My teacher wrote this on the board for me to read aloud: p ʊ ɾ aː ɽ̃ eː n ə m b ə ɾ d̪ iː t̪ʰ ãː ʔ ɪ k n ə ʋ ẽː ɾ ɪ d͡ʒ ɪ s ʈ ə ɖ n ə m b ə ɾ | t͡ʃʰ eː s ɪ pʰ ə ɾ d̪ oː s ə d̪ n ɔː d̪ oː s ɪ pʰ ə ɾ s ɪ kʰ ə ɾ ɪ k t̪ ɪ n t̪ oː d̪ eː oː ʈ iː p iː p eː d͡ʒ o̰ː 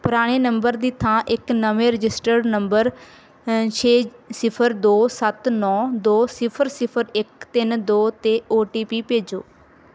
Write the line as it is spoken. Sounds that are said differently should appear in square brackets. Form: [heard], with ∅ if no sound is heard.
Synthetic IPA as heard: p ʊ ɾ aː ɽ̃ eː n ə m b ə ɾ d̪ iː t̪ʰ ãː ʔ ɪ k n ə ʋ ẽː ɾ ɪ d͡ʒ ɪ s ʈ ə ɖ n ə m b ə ɾ | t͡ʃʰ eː s ɪ pʰ ə ɾ d̪ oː s ə [t̪] n ɔː d̪ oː s ɪ pʰ ə ɾ s ɪ [pʰ] ə ɾ ɪ k t̪ ɪ n [d̪] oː [t̪] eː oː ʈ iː p iː p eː d͡ʒ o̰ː